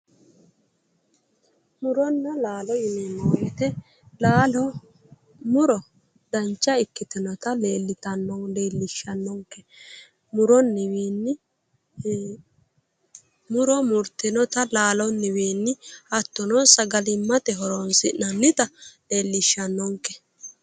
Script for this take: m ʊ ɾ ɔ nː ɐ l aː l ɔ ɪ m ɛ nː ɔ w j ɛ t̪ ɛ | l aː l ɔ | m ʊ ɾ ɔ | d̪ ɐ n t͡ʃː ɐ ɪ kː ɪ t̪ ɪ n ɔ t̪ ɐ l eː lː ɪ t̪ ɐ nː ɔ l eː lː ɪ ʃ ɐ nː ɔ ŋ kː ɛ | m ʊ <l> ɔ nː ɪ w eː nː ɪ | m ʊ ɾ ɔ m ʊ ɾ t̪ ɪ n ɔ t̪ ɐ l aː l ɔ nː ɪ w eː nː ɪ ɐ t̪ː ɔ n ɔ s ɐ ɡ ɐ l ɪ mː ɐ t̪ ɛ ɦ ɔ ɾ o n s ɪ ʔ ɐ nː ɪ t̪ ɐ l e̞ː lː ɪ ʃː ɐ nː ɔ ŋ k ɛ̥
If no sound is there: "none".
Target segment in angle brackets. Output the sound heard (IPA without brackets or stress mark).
ɾ